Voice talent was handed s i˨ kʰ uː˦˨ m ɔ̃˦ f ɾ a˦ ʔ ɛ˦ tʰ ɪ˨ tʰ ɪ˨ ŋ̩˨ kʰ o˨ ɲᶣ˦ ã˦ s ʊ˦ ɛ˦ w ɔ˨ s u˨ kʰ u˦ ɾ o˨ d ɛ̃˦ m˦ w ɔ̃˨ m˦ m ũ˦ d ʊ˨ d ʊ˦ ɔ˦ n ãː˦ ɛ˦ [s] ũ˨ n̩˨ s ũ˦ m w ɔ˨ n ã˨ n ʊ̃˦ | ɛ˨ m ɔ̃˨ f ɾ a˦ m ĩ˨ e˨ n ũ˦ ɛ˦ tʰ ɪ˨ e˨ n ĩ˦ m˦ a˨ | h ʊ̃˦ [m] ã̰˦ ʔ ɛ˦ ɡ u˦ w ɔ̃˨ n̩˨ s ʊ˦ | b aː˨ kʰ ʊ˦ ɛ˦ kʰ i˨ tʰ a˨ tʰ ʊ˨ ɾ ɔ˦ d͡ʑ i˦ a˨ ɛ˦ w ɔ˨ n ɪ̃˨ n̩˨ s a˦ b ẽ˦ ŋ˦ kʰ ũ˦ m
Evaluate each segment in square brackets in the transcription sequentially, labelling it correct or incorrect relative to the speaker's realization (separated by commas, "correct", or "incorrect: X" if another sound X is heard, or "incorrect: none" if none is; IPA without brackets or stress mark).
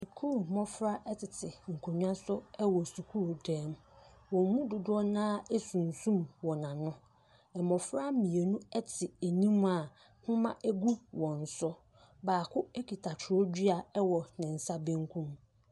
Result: correct, correct